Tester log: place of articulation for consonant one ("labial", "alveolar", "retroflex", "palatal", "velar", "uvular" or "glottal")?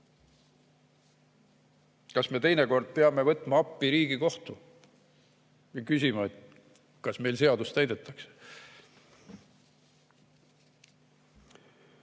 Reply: velar